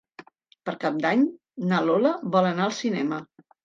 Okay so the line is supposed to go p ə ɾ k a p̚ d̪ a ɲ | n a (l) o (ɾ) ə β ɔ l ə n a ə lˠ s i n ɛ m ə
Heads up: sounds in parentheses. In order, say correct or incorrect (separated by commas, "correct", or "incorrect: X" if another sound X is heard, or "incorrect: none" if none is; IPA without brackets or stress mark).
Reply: correct, incorrect: l